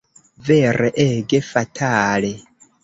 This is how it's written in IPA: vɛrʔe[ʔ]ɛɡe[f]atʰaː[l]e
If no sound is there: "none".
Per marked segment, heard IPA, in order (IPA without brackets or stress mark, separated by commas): ʔ, f, l